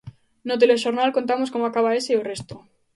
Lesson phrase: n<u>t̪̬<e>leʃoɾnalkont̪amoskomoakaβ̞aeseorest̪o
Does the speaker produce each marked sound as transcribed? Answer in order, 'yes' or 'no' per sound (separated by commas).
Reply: no, yes